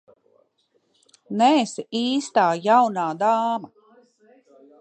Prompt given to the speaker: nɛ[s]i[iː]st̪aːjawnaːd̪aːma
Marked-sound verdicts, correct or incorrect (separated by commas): correct, correct